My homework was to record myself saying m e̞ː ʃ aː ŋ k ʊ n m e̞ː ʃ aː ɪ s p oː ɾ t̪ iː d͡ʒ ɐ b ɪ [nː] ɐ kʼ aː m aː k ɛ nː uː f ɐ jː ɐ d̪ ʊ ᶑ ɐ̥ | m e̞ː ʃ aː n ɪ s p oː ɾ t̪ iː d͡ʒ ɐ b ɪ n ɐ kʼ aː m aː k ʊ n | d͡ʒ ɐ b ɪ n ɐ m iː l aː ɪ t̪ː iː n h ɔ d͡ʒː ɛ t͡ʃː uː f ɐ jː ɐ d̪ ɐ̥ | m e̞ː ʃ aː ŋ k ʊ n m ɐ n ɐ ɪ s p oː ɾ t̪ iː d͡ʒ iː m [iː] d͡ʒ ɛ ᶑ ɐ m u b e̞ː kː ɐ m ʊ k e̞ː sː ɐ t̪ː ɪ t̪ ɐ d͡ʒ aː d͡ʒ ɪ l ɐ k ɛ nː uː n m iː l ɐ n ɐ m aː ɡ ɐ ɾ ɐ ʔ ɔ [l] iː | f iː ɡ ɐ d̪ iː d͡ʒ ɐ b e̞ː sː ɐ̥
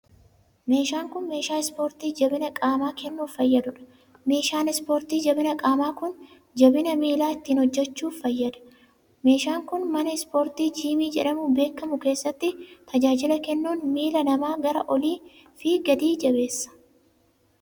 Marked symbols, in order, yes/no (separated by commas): no, yes, yes